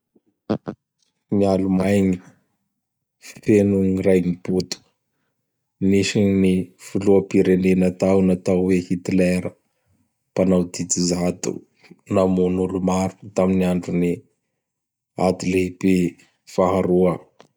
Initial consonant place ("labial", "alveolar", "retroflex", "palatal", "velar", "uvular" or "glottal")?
labial